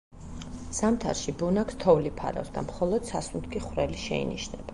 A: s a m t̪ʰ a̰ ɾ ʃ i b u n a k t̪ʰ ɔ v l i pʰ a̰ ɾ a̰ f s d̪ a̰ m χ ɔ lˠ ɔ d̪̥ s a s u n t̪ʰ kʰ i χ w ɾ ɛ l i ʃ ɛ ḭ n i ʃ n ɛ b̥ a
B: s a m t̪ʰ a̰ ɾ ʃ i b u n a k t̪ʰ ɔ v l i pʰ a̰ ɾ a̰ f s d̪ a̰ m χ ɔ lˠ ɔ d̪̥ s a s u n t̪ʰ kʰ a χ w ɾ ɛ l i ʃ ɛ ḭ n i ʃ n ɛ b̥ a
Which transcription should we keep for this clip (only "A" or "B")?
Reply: A